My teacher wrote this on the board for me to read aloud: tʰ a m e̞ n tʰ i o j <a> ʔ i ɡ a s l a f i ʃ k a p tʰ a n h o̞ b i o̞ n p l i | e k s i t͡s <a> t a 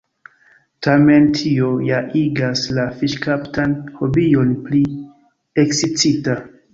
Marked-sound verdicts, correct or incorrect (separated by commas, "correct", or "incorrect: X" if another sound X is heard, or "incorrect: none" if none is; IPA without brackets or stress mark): correct, incorrect: i